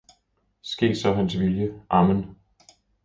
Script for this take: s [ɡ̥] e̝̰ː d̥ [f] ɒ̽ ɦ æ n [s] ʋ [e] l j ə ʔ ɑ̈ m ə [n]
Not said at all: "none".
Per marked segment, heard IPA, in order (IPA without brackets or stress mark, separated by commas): ɡ̥, s, s, i, n